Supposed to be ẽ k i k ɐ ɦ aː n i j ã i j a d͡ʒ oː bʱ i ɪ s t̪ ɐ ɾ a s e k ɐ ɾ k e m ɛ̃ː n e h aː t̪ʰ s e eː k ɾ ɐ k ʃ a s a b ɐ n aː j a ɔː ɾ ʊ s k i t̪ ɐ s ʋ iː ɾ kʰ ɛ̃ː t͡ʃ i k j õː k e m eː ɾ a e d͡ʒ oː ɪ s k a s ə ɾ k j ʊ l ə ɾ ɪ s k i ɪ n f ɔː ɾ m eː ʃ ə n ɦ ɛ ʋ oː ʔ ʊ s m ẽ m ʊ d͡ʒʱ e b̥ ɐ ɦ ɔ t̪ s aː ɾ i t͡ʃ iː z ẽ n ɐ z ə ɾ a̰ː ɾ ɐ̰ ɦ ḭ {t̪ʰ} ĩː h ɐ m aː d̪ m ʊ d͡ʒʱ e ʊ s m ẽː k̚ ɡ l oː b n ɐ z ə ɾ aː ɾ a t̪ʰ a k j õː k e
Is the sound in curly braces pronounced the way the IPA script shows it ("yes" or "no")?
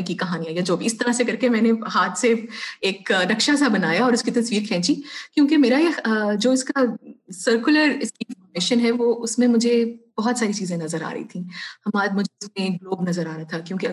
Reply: yes